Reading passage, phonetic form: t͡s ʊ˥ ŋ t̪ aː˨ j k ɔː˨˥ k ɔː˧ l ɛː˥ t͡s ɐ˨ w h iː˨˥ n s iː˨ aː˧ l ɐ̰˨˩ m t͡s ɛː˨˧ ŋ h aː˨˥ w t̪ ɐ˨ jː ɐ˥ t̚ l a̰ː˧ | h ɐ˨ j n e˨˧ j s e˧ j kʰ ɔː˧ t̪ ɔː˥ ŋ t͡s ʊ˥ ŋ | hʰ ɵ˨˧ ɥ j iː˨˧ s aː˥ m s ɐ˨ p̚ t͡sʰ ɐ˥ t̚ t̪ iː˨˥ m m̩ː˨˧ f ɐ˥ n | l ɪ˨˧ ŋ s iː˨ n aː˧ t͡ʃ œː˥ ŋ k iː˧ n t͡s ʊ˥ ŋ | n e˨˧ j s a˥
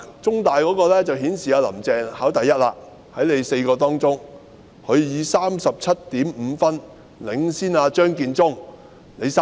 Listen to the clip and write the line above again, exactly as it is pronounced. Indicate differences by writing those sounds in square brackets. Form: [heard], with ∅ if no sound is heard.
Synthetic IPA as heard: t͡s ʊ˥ ŋ t̪ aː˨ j k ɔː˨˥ k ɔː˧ l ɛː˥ t͡s ɐ˨ w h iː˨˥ n s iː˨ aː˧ l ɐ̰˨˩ m t͡s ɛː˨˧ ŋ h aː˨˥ w t̪ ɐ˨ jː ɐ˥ t̚ l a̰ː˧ | h [ɐ˨˥] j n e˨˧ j s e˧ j [k] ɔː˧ t̪ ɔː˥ ŋ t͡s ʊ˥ ŋ | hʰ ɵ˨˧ ɥ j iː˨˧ s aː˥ m s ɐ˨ p̚ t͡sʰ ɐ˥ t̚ t̪ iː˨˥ m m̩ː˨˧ f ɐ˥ n | l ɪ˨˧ ŋ s [iː˥] n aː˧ t͡ʃ œː˥ ŋ k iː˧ n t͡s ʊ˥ ŋ | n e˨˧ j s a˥

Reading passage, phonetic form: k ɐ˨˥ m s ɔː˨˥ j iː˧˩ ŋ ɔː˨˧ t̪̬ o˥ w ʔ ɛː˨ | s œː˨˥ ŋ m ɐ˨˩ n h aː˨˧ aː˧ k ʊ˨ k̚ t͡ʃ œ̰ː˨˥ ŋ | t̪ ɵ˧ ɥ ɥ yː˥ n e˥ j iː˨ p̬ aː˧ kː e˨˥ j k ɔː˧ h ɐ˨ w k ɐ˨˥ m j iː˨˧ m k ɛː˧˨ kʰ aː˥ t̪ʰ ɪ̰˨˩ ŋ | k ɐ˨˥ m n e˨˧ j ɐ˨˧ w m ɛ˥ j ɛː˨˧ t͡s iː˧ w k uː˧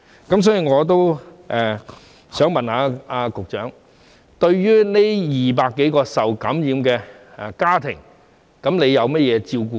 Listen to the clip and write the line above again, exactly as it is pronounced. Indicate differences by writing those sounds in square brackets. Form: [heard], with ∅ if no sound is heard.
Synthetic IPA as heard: k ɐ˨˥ m s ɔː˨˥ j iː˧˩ ŋ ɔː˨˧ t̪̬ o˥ w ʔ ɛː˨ | s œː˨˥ ŋ m ɐ˨˩ n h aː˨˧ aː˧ k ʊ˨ k̚ t͡ʃ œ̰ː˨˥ ŋ | t̪ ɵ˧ ɥ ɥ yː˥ n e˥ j iː˨ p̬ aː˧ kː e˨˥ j k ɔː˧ [s] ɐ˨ w k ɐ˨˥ m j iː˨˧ m k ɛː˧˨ [k] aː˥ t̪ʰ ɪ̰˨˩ ŋ | k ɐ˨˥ m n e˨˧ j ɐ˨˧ w m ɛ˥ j ɛː˨˧ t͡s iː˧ w k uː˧

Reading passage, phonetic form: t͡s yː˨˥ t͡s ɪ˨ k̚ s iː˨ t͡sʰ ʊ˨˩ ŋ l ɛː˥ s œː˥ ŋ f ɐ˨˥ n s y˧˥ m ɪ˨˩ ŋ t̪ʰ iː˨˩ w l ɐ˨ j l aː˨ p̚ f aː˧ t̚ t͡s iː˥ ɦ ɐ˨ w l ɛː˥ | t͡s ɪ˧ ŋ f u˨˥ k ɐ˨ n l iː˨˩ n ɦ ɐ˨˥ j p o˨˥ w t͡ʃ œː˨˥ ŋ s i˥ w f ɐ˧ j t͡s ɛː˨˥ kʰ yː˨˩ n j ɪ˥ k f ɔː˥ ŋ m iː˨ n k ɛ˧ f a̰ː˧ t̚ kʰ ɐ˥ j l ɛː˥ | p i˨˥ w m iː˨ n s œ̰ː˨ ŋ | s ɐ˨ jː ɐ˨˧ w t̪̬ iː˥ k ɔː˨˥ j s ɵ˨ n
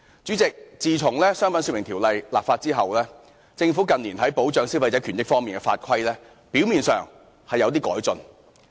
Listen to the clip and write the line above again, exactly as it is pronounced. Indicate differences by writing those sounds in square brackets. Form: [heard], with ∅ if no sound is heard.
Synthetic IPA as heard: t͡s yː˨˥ t͡s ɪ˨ k̚ [t͡s] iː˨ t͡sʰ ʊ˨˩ ŋ l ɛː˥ s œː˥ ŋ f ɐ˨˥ n s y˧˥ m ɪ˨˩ ŋ t̪ʰ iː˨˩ w l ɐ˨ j l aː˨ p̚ f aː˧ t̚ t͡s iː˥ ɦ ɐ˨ w l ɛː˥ | t͡s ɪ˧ ŋ f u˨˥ k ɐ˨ n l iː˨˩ n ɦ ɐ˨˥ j p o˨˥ w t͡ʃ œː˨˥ ŋ s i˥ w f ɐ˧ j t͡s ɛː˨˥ kʰ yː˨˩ n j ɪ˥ k f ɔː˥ ŋ m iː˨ n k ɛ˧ f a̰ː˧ t̚ kʰ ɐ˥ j l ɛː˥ | p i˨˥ w m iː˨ n s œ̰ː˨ ŋ | [h] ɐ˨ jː ɐ˨˧ w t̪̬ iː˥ k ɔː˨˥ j [t͡s] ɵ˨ n

